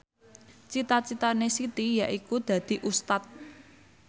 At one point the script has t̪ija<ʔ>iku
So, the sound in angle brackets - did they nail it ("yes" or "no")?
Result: yes